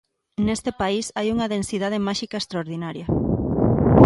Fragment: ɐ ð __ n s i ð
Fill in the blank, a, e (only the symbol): e